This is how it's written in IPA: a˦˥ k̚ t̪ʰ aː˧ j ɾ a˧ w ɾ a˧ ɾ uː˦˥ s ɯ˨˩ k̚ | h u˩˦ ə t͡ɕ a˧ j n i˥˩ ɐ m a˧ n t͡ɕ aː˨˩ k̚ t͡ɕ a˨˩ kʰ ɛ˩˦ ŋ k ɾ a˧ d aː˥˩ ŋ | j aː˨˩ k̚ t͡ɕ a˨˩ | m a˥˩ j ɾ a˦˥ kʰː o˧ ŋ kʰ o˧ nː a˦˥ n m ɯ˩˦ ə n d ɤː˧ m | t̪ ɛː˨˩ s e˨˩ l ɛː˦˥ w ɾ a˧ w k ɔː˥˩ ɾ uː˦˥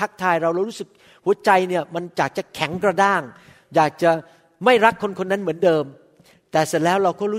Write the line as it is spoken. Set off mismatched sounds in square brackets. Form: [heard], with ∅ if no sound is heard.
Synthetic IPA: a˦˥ k̚ t̪ʰ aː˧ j ɾ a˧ w ɾ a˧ ɾ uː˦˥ s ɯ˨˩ k̚ | h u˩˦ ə t͡ɕ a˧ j n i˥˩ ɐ m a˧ n t͡ɕ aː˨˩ k̚ t͡ɕ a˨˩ kʰ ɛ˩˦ ŋ k ɾ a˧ d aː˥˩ ŋ | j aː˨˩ k̚ t͡ɕ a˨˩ | m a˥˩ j ɾ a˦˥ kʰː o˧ [n] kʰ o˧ nː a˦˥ n m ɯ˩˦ ə n d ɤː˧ m | t̪ ɛː˨˩ s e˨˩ l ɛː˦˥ w ɾ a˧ w k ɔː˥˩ ɾ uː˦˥